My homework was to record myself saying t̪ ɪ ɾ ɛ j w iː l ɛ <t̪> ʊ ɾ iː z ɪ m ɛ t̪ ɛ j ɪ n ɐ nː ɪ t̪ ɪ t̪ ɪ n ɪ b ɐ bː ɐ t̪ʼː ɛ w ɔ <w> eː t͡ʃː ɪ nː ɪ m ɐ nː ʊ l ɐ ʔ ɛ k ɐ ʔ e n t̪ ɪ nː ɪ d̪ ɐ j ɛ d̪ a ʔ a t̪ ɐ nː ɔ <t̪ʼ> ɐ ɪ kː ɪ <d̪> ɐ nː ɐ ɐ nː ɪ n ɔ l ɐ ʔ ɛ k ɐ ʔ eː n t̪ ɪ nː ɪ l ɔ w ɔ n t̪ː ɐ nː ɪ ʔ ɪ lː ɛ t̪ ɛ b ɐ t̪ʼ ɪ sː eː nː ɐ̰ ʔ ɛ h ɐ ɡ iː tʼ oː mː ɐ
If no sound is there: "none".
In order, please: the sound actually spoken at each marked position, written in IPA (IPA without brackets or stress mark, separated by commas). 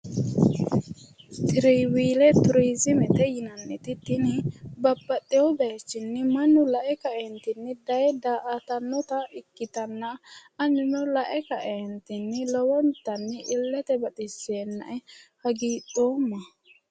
t̪, b, t̪, t̪